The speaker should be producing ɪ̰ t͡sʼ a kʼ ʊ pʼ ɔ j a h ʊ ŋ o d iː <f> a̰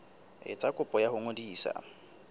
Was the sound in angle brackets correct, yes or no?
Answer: no